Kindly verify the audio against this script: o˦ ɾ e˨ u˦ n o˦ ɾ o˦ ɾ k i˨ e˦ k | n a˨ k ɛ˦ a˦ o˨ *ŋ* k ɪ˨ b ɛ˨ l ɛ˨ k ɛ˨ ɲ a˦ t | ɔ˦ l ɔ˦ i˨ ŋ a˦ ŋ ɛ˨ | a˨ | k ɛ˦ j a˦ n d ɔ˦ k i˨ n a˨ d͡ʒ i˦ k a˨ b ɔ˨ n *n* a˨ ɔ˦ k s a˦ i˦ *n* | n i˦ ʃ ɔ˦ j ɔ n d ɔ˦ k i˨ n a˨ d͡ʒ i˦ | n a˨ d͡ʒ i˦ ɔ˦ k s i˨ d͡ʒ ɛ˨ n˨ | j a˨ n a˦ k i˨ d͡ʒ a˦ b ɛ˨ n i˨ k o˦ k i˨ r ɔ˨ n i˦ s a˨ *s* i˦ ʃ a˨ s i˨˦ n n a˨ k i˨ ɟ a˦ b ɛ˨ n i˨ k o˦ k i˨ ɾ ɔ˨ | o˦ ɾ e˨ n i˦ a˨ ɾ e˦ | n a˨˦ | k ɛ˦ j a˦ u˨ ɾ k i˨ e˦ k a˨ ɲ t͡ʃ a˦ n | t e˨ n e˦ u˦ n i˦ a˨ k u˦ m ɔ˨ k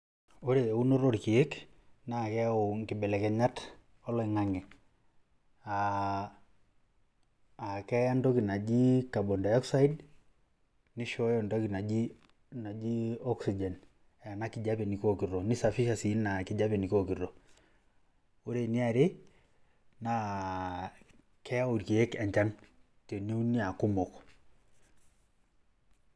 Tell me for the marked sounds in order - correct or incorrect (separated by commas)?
correct, incorrect, incorrect, incorrect